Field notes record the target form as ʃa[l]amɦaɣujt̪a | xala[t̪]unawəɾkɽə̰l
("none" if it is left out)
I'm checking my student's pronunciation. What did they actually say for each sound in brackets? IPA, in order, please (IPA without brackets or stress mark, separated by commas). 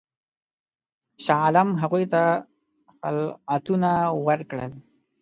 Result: l, t̪